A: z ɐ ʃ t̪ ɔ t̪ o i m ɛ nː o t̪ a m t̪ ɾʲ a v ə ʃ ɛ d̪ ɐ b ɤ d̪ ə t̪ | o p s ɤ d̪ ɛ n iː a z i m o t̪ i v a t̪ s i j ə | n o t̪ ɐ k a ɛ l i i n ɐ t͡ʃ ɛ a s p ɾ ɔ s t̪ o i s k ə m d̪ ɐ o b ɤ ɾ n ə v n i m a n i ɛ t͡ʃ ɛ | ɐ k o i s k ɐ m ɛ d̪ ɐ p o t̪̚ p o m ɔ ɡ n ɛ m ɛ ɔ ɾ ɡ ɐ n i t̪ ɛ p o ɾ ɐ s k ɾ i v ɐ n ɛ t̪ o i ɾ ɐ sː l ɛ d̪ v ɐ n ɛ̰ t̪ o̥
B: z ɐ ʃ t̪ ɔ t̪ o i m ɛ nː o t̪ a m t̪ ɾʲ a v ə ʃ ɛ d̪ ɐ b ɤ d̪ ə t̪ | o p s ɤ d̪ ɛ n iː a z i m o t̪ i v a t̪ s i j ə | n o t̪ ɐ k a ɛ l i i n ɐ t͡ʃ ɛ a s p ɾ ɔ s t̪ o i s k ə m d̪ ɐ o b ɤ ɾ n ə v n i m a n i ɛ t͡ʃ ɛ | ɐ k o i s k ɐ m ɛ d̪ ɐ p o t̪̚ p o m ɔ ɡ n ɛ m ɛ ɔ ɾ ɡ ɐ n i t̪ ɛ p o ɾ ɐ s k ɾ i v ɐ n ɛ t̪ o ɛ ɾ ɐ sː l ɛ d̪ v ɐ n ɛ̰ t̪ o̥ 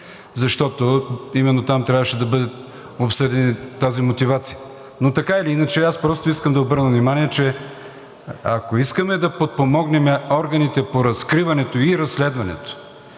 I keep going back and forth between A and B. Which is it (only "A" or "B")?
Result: A